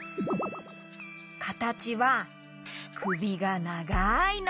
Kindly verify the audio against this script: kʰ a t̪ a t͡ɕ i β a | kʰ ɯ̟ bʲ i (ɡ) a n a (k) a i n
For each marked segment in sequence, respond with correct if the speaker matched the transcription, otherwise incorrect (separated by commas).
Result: correct, incorrect